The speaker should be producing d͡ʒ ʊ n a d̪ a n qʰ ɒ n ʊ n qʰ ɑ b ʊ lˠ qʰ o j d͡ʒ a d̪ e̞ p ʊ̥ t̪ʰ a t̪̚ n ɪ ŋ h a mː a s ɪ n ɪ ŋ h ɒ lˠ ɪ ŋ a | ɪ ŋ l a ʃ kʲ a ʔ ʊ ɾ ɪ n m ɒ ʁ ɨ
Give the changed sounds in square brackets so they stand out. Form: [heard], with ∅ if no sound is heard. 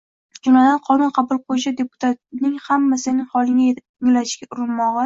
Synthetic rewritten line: d͡ʒ ʊ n a d̪ a n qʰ ɒ n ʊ n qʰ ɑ b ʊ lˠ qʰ o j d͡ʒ a d̪ e̞ p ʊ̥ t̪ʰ a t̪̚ n ɪ ŋ h a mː a s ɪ n ɪ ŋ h ɒ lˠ ɪ ŋ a | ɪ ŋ l a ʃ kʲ a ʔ ʊ ɾ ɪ n m ɒ ʁ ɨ